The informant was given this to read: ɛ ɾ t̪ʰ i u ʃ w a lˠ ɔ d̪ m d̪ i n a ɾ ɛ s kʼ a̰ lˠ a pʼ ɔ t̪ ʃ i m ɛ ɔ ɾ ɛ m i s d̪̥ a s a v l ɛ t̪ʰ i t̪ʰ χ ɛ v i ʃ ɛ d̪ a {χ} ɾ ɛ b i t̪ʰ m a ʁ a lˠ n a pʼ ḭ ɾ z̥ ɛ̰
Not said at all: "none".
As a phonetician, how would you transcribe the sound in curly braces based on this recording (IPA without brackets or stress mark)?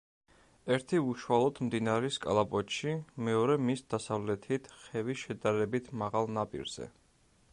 none